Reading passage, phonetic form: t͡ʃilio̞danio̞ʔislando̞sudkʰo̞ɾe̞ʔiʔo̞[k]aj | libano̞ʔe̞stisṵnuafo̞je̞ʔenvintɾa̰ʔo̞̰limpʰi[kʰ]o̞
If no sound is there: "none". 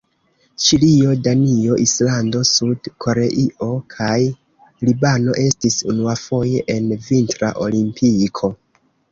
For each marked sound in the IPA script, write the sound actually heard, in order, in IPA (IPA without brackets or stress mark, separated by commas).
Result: kʰ, kʰ